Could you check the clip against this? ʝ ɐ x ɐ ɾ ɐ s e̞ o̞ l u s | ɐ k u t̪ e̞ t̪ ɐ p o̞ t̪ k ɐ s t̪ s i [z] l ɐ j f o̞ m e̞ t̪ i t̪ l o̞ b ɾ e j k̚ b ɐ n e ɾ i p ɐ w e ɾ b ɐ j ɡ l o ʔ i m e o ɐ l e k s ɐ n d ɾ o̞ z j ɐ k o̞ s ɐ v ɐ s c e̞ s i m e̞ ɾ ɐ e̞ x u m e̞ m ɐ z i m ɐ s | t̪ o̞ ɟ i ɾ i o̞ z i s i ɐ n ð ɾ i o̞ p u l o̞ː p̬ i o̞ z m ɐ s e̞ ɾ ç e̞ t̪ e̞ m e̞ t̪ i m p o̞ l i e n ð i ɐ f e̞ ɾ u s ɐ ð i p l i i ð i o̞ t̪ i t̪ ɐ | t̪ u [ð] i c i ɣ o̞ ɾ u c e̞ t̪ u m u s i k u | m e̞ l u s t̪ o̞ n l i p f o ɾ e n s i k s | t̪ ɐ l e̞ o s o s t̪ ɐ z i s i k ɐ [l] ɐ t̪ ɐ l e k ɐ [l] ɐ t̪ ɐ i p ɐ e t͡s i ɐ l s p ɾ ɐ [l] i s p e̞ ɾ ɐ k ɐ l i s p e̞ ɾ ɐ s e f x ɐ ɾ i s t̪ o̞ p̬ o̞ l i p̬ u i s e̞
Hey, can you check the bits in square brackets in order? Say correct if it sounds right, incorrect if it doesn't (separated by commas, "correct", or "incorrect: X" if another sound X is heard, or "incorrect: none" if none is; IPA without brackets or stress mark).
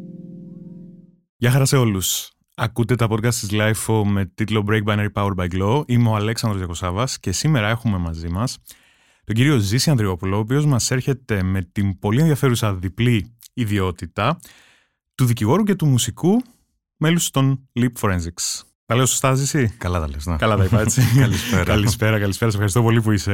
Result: correct, correct, correct, correct, correct